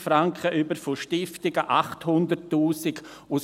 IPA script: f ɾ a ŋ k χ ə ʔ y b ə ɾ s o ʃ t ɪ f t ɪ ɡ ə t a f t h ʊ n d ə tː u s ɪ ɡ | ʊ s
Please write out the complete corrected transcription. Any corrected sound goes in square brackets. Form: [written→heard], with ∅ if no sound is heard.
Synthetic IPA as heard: f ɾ a ŋ k χ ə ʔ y b ə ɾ [s→f] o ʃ t ɪ f t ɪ ɡ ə [t→ʔ] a [f→χ] t h ʊ n d ə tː [u→uː] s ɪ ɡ | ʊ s

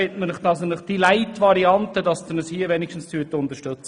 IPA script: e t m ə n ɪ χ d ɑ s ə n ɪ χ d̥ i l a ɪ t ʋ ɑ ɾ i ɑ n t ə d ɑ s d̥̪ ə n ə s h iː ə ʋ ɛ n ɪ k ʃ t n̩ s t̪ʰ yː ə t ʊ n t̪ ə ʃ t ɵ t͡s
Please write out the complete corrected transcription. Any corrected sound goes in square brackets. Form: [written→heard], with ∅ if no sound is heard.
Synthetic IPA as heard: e t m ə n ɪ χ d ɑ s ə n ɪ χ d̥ i l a ɪ t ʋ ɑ ɾ i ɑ n t ə d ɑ s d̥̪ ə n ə s h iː ə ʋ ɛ n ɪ k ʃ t n̩ s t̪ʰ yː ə t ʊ n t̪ ə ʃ t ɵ t͡s

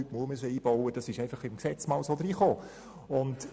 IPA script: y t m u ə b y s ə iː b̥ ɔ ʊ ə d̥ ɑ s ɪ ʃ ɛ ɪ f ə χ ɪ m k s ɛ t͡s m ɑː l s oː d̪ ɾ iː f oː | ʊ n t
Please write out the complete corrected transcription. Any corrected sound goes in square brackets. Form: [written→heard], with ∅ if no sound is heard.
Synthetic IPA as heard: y t m u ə [b→m] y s ə iː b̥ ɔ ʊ ə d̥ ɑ s ɪ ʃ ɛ ɪ f [ə→ɑ] χ ɪ m k s ɛ t͡s m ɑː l s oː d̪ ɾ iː [f→χ] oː | ʊ n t

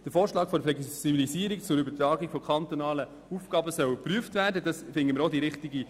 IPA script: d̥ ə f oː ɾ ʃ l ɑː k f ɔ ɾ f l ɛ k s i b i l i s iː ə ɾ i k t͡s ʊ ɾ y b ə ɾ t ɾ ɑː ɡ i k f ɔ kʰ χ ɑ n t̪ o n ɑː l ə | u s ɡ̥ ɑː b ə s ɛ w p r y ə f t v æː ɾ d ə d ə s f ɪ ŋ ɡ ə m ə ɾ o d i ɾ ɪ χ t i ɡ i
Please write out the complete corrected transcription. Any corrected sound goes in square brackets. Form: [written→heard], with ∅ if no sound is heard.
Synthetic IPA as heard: d̥ ə f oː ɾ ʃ l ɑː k f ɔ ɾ f l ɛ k s i b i l i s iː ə ɾ i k t͡s ʊ ɾ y b ə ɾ t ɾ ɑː ɡ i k f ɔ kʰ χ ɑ n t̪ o n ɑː l ə | u [s→f] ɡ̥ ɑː b ə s [ɛ→œ] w p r y ə f t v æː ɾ d ə d [ə→ɑ] s f ɪ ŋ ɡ ə m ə ɾ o d i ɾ ɪ χ t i ɡ i

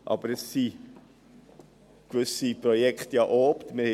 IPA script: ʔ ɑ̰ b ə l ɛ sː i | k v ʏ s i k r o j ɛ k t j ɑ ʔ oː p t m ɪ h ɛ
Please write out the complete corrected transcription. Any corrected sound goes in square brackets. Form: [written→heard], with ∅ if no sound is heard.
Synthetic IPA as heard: ʔ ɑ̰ b ə [l→ɾ] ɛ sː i | k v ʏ s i [k→p] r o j ɛ k t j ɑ ʔ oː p t m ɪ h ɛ

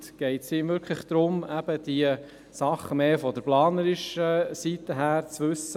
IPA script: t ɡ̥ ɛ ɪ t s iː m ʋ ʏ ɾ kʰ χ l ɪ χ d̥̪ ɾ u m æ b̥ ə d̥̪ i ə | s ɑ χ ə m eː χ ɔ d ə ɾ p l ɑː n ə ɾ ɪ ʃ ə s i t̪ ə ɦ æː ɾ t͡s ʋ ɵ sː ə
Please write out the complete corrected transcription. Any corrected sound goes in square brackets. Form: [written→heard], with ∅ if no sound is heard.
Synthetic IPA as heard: t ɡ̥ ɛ ɪ t s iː m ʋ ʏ ɾ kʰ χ l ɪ χ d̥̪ ɾ [u→ʊ] m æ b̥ ə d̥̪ i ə | s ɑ χ ə m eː [χ→f] ɔ d ə ɾ p l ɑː n ə ɾ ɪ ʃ ə s i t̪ ə ɦ æː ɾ t͡s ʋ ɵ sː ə

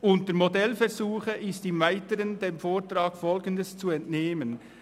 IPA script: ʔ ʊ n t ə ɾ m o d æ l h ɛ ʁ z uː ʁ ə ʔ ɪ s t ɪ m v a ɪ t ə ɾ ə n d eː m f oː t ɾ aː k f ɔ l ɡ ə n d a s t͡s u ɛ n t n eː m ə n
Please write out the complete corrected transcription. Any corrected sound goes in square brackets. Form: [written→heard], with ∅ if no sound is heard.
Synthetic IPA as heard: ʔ ʊ n t ə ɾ m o d [æ→ɛ] l [h→f] ɛ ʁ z uː [ʁ→χ] ə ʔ ɪ s t ɪ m v a ɪ t ə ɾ ə n d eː m f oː t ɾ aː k f ɔ l ɡ ə n d [a→ə] s t͡s u ɛ n t n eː m ə n

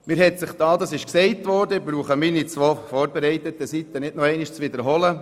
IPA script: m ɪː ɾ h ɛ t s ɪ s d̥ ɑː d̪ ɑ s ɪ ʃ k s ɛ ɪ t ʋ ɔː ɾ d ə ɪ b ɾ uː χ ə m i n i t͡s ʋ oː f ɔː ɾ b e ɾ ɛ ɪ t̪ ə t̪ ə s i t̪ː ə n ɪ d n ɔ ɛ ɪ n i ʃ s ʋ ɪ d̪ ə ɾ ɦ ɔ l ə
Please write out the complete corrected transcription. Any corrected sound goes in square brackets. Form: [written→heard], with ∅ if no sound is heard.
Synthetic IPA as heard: m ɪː ɾ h ɛ t s ɪ [s→χ] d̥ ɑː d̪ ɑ s ɪ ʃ k s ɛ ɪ t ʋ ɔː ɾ d ə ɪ b ɾ uː χ ə m i n i t͡s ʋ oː f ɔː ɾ b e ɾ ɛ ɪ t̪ ə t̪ ə s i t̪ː ə n ɪ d n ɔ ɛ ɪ n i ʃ [s→t͡s] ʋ ɪ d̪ ə ɾ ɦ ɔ l ə

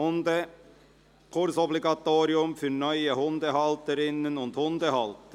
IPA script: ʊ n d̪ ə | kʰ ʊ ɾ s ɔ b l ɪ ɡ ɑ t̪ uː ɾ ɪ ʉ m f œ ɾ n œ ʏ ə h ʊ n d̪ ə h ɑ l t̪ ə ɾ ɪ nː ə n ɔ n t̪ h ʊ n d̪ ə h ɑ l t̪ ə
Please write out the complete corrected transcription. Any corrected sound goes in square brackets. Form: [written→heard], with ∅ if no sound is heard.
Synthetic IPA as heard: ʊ n d̪ ə | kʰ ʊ ɾ s ɔ b l ɪ ɡ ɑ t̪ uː ɾ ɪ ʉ m f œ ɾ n œ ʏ ə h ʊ n d̪ ə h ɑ l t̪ ə ɾ ɪ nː ə n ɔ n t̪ h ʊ n d̪ ə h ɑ l t̪ ə

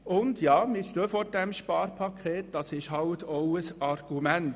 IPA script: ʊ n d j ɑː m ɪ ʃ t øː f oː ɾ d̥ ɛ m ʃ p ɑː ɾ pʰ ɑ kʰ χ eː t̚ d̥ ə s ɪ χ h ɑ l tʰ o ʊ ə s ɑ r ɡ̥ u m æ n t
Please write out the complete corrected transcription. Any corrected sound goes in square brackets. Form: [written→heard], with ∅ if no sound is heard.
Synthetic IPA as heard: ʊ n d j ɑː m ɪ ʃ t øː f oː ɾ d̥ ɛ m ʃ p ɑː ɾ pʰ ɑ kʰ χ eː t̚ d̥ [ə→ɑ] s ɪ [χ→ʃ] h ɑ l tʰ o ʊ ə s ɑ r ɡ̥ u m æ n t

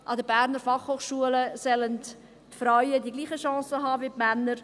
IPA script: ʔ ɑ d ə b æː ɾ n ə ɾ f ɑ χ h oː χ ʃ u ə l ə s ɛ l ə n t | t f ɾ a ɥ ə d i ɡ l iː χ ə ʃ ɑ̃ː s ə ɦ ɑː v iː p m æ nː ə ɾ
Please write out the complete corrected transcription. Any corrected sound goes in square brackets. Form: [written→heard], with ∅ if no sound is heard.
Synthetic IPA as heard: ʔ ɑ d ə b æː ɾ n ə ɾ f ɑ χ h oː χ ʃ u ə l ə s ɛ l ə n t | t f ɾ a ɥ ə d i ɡ l iː χ ə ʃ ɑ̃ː s ə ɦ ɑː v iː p m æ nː ə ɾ

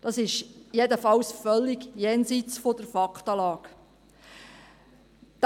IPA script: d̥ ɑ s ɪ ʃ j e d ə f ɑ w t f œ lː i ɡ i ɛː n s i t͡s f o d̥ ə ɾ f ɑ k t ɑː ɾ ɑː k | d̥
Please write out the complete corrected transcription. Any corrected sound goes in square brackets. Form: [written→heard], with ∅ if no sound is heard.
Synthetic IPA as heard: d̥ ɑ s ɪ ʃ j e d ə f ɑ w [t→s] f œ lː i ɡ [i→j] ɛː n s i t͡s f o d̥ ə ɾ f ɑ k t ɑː [ɾ→l] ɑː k | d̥

